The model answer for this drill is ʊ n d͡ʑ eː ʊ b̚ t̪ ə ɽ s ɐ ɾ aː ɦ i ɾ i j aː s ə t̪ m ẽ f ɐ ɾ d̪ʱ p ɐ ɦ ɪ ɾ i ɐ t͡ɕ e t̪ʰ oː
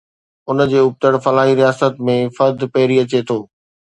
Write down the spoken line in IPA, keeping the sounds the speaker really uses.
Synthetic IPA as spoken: ʊ n d͡ʑ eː ʊ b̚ t̪ ə ɽ f ɐ l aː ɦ i ɾ i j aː s ə t̪ m ẽ f ɐ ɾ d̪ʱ p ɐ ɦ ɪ ɾ i ɐ t͡ɕ e t̪ʰ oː